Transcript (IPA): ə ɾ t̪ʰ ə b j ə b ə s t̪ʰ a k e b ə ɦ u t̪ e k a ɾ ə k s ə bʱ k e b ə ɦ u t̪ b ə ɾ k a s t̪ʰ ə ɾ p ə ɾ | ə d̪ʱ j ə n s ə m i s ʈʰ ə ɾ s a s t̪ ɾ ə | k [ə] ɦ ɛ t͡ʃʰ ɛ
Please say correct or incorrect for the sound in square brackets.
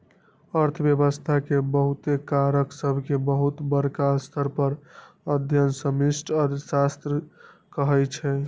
correct